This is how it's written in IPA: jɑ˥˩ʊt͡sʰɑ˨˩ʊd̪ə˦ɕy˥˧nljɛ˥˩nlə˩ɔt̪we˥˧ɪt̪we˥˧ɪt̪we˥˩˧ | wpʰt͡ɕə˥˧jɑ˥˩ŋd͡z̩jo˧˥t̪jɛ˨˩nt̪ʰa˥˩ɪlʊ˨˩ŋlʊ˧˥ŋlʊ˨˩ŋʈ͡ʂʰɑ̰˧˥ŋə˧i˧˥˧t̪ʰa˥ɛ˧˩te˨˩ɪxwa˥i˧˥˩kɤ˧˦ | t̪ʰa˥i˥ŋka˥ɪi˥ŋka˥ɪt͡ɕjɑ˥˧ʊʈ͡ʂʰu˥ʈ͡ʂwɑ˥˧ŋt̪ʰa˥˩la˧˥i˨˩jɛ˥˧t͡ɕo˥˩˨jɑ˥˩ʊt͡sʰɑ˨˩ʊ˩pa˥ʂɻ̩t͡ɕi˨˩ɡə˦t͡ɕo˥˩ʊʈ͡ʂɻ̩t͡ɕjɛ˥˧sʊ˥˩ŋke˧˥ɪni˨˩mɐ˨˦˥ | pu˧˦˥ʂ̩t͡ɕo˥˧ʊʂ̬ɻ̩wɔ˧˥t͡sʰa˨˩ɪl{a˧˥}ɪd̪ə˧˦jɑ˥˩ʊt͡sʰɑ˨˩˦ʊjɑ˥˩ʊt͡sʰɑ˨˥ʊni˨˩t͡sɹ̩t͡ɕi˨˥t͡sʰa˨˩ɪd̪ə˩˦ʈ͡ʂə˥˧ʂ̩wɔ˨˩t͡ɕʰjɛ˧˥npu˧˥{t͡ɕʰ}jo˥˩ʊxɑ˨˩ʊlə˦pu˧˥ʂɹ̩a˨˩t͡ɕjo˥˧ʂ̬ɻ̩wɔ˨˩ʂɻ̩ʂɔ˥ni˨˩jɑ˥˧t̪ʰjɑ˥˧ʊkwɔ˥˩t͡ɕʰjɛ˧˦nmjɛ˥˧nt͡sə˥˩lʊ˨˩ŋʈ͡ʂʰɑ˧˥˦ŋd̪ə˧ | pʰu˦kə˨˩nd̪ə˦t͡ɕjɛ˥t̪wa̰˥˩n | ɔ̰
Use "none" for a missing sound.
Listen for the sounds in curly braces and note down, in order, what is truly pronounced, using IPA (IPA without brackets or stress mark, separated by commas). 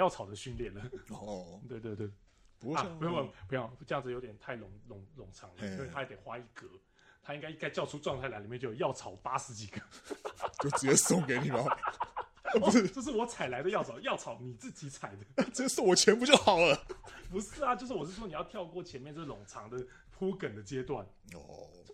a˧, t͡ɕ